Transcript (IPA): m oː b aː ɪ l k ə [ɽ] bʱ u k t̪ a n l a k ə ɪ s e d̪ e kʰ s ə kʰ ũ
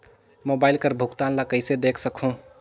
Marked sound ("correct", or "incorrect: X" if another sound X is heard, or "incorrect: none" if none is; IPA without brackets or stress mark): incorrect: ɾ